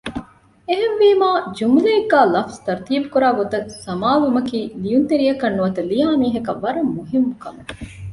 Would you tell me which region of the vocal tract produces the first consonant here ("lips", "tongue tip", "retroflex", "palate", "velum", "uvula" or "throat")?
throat